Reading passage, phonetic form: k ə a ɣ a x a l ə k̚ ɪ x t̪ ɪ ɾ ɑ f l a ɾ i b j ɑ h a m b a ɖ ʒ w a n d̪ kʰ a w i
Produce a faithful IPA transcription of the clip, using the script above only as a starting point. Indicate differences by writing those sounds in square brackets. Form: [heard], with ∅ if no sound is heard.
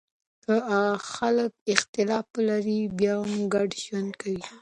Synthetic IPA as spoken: k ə a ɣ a x a l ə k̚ ɪ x t̪ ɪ [l] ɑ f l a ɾ i b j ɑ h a m [ɡ] a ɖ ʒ w a n d̪ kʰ a w i